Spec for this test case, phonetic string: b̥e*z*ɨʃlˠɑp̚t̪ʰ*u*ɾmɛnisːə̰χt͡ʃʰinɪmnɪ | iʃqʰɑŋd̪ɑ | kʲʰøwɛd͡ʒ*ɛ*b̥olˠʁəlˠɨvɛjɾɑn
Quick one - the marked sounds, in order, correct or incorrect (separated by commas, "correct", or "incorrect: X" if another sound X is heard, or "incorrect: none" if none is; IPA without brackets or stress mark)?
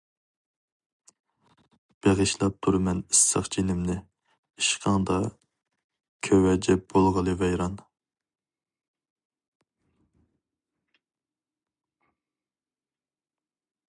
incorrect: ʁ, correct, correct